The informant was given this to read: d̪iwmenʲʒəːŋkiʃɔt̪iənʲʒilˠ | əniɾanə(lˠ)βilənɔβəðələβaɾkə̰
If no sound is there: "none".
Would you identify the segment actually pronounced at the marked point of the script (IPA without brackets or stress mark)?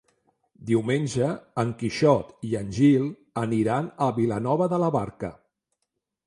none